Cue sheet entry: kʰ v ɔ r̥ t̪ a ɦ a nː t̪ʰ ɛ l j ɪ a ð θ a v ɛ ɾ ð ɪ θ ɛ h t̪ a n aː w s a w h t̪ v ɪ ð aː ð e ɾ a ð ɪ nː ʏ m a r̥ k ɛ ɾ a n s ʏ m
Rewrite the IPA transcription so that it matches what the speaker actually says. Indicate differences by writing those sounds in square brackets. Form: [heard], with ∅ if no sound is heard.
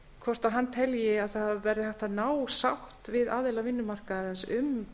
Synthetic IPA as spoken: kʰ v ɔ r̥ t̪ a ɦ a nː t̪ʰ ɛ l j ɪ a ð θ a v ɛ ɾ ð ɪ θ ɛ h t̪ a n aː w s a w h t̪ v ɪ ð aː ð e [l] a [v] ɪ nː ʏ m a r̥ k [a] ɾ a n s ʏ m